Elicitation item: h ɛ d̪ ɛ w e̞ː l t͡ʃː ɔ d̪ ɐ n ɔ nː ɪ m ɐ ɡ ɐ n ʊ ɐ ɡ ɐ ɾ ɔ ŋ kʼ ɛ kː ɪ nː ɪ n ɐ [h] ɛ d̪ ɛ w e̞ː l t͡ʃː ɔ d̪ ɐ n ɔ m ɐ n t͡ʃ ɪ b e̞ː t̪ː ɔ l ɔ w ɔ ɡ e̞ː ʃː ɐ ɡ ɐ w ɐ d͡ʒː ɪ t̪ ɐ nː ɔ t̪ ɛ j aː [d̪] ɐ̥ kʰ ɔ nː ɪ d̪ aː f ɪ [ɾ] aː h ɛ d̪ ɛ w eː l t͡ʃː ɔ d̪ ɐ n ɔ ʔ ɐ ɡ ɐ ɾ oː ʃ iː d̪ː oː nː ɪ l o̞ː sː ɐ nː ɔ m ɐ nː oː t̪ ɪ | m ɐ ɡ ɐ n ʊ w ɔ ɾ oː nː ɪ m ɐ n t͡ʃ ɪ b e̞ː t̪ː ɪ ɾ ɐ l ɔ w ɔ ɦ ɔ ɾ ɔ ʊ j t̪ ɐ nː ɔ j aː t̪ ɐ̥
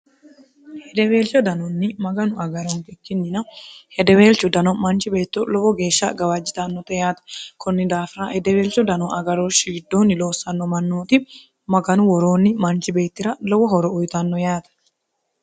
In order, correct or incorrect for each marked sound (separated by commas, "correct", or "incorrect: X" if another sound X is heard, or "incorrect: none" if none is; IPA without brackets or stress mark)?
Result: correct, incorrect: t̪, correct